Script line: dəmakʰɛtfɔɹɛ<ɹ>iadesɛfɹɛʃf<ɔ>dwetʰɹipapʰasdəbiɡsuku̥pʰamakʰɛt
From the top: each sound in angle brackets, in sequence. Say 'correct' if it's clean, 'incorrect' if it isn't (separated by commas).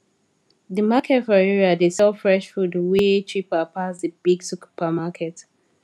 correct, incorrect